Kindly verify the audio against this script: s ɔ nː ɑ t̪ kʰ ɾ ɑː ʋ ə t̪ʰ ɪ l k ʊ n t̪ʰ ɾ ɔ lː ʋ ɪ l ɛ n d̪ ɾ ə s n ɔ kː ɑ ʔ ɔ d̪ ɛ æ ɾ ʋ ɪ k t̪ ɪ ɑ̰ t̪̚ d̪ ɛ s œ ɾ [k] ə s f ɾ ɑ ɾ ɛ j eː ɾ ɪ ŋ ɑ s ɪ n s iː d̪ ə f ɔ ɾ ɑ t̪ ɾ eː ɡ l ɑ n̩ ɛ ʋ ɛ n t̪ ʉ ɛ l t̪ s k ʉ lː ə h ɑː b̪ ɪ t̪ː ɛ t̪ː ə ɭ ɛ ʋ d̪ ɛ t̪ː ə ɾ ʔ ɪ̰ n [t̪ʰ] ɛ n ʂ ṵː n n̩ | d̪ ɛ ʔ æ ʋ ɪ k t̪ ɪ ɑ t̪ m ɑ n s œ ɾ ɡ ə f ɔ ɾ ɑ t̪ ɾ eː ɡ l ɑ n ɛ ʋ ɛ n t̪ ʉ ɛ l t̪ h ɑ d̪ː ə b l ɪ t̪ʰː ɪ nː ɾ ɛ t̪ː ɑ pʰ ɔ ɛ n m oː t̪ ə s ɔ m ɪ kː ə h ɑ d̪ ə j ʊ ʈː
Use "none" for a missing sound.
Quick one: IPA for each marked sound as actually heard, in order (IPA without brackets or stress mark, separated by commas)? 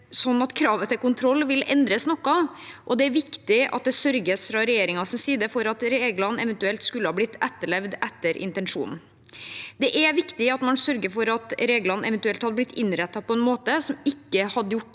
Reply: ɡ, t̪